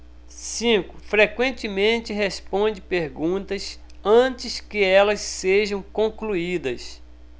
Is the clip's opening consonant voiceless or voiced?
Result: voiceless